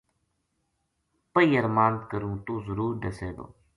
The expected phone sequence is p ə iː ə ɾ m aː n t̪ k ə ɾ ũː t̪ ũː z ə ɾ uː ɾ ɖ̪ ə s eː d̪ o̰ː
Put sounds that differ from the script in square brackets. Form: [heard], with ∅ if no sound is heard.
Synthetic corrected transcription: p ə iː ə ɾ m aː n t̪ k ə ɾ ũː t̪ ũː z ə ɾ uː ɾ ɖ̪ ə s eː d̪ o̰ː

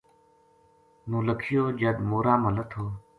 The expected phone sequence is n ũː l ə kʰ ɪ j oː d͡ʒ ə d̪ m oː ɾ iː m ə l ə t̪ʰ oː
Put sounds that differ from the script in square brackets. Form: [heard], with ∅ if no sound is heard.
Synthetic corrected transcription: n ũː l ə kʰ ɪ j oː d͡ʒ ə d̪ m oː ɾ [aː] m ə l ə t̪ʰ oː

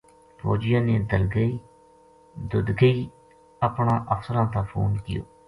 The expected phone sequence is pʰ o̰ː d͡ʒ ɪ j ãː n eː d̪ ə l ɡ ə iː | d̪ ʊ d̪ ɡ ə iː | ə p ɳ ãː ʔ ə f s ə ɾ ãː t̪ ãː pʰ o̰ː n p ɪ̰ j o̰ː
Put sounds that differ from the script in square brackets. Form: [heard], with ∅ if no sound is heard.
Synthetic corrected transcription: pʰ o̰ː d͡ʒ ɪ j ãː n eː d̪ ə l ɡ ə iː | d̪ ʊ d̪ ɡ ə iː | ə p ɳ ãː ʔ ə f s ə ɾ ãː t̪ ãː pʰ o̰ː n [k] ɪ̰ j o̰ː

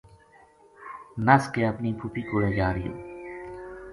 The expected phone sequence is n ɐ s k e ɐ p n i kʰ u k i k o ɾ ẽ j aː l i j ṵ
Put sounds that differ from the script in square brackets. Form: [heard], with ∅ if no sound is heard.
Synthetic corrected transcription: n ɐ s k e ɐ p n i [pʰ] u [p] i k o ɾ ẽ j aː [ɾ] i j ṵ

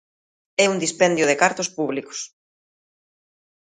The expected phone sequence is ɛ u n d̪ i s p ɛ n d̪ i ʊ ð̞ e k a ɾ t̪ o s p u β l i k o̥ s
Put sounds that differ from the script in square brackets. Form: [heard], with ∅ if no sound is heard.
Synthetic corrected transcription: ɛ u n d̪ i s p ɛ n d̪ [j] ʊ ð̞ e k a ɾ t̪ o s p u β l i k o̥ s

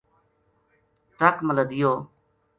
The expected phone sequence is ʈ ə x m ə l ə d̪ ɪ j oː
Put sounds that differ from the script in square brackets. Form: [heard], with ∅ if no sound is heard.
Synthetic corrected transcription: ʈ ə [k] m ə l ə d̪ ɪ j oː

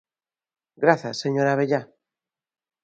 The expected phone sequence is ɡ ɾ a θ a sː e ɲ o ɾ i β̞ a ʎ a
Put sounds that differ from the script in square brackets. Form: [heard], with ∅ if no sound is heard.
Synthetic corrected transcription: ɡ ɾ a θ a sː e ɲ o ɾ [a] β̞ [e] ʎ a

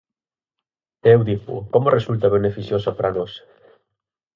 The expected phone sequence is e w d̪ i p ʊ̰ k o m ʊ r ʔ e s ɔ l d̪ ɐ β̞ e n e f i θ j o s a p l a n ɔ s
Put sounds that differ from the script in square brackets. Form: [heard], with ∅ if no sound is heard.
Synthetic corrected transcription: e w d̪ i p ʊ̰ k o m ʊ r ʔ e s [u] l [t̪] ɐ β̞ e n e f i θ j o s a p [ɾ] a n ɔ s

